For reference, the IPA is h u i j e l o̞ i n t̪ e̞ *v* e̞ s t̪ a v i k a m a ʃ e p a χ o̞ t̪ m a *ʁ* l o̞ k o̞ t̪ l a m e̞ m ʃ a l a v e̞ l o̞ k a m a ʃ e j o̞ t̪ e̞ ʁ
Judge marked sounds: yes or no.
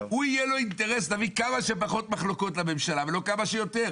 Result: no, no

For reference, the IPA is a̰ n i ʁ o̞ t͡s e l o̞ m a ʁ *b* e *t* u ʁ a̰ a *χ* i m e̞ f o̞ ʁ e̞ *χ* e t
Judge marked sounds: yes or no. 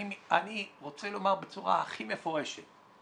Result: yes, no, yes, no

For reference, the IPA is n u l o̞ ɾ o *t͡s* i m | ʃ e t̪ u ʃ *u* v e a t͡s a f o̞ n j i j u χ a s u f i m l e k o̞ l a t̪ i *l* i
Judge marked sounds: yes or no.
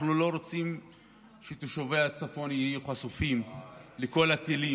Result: yes, no, yes

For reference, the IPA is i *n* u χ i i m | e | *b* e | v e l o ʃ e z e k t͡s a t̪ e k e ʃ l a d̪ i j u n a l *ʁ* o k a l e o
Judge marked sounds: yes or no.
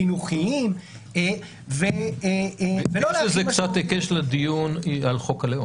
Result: yes, no, no

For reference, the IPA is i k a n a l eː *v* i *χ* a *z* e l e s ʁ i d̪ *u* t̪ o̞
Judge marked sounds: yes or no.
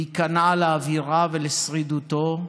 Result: yes, no, no, yes

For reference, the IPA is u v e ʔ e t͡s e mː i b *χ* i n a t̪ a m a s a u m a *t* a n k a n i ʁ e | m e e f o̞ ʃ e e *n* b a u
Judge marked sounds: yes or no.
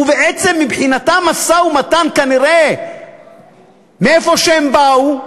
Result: no, yes, no

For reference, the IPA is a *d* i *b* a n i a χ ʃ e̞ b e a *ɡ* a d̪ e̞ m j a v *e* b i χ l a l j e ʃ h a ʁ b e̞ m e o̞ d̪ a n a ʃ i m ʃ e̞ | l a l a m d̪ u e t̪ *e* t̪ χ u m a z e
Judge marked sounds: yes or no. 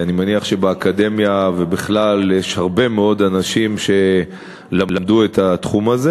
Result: no, no, no, yes, no

